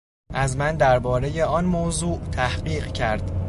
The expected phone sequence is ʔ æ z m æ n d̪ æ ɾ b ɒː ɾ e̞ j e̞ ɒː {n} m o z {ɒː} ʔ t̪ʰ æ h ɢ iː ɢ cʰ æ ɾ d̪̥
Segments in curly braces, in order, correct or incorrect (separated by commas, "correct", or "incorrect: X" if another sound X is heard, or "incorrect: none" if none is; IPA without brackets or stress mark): correct, incorrect: uː